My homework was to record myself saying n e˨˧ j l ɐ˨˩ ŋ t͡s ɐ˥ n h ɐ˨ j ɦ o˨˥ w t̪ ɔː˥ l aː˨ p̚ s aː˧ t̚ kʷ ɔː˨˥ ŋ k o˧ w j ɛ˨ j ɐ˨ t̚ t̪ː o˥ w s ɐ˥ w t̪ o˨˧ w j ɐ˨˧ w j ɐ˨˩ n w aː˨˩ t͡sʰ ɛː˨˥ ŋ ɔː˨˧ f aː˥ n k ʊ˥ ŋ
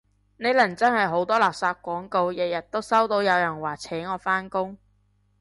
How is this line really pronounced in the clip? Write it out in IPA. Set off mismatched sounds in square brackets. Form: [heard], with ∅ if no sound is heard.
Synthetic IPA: n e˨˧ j l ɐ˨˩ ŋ t͡s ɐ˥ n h ɐ˨ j ɦ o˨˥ w t̪ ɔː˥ l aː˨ p̚ s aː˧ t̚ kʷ ɔː˨˥ ŋ k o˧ w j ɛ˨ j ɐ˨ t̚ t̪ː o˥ w s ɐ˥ w t̪ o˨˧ w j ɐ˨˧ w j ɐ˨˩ n w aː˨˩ t͡sʰ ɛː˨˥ ŋ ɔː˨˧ f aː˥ n k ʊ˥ ŋ